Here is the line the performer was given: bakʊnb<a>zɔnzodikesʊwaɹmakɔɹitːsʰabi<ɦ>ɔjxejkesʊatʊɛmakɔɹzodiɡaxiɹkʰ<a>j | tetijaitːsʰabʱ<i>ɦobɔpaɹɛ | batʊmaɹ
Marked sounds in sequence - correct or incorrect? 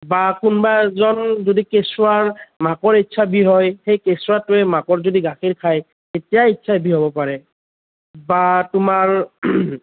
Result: correct, correct, correct, correct

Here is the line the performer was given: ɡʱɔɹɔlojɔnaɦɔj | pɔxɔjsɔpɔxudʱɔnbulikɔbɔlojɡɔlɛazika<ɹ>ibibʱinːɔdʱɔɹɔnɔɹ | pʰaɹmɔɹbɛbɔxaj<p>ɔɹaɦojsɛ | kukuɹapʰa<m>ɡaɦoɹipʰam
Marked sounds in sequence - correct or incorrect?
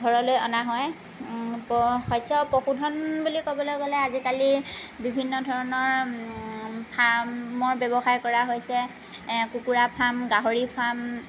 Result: incorrect, incorrect, correct

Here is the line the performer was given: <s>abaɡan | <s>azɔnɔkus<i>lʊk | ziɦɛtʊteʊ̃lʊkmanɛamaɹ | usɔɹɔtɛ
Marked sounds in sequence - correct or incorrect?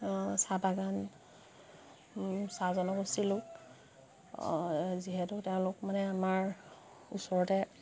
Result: correct, correct, correct

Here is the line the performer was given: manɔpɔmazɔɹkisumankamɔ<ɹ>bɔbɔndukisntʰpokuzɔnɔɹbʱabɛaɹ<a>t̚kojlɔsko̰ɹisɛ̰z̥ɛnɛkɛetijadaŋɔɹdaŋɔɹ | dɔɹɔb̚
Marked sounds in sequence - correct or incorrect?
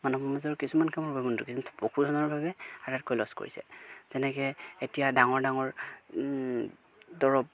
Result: correct, correct

